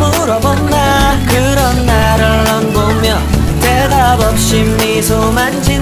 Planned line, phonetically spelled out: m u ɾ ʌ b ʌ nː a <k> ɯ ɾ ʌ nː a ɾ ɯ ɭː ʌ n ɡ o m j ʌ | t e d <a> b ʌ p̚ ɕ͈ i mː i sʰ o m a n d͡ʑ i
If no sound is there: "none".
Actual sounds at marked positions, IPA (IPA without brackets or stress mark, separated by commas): k, a